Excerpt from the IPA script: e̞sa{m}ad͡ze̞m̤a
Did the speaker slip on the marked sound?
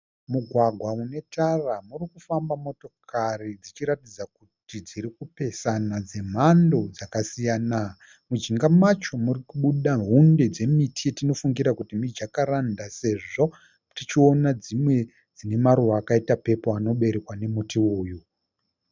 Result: yes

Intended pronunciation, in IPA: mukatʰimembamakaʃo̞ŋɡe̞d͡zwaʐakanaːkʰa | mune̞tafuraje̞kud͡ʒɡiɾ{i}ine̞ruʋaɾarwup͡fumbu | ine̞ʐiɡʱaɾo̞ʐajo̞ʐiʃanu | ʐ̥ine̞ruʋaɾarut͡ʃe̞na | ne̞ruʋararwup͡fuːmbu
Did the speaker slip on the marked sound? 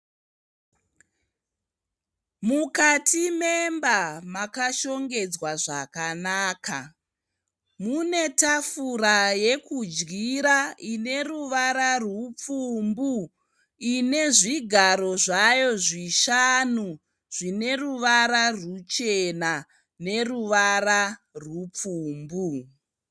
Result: yes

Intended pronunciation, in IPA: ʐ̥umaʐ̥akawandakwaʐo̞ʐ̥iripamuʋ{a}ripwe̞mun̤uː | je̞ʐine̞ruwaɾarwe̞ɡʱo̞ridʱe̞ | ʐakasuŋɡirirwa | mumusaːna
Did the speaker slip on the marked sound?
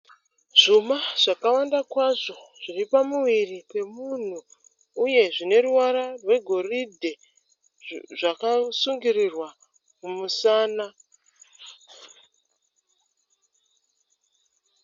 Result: yes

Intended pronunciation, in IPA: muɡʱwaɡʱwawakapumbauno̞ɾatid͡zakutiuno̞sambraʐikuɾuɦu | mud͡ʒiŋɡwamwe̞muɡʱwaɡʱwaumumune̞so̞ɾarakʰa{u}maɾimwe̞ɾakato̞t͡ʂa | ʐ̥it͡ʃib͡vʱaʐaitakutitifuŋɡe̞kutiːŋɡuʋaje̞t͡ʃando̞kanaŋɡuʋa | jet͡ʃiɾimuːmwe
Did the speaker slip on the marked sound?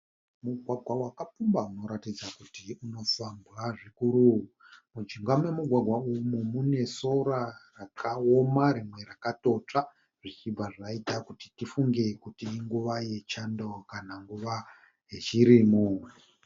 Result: yes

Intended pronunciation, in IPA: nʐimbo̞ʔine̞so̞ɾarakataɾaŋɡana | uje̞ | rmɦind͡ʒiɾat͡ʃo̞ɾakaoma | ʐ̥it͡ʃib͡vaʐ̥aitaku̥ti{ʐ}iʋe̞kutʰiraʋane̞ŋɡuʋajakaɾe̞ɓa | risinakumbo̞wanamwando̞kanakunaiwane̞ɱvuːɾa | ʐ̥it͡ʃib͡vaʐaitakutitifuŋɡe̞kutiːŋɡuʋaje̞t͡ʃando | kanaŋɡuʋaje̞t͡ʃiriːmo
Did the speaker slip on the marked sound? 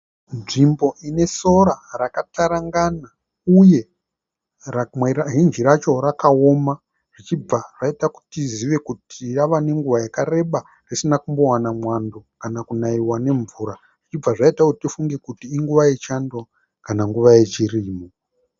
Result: yes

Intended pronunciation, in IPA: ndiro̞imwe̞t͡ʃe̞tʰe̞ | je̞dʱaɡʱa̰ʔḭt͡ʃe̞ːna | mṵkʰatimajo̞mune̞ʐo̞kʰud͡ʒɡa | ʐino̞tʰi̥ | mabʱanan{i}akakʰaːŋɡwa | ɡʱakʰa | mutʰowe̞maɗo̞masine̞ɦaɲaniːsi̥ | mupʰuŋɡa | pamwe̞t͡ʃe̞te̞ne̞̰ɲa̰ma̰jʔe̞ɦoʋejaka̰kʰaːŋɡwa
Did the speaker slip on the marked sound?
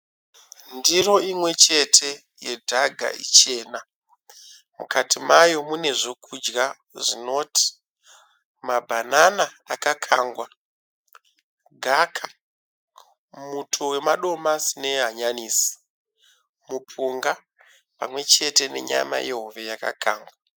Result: yes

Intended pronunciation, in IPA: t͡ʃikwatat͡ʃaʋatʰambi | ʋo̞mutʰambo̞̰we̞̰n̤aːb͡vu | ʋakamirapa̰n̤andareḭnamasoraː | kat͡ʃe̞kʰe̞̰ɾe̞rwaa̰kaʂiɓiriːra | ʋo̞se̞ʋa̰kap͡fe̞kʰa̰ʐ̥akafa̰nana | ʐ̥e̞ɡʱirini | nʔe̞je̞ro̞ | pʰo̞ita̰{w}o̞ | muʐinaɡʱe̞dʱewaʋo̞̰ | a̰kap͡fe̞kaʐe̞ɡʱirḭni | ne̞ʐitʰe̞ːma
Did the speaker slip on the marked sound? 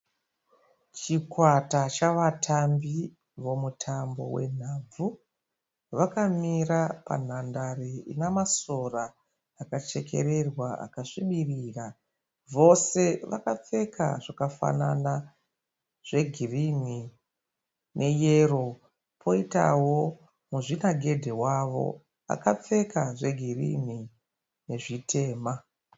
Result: no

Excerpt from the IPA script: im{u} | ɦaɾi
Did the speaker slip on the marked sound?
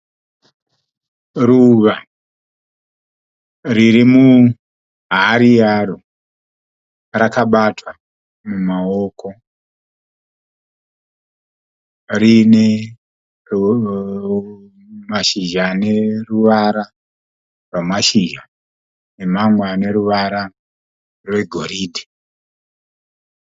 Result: no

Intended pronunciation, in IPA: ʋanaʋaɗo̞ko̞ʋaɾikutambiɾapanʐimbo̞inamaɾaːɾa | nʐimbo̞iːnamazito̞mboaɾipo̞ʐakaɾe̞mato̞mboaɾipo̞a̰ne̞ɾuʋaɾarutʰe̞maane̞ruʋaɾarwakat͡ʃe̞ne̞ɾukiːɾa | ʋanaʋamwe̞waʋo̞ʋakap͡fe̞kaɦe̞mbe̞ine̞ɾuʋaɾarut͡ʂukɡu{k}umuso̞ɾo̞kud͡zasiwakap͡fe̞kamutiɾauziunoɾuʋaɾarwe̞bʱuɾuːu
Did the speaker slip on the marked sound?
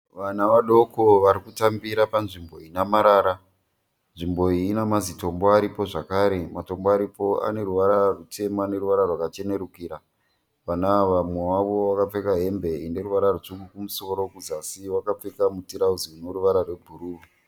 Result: no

